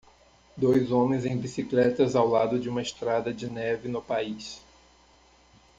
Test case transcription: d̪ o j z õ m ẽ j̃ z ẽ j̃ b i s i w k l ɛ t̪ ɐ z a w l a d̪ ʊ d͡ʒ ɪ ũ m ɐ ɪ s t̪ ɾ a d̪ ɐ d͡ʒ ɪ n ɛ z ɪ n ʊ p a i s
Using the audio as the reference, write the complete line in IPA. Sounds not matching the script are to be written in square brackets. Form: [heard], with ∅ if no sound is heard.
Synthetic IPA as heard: d̪ o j z õ m ẽ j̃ z ẽ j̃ b i s i [∅] k l ɛ t̪ ɐ z a w l a d̪ ʊ d͡ʒ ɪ ũ m ɐ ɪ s t̪ ɾ a d̪ ɐ d͡ʒ ɪ n ɛ [v] ɪ n ʊ p a i s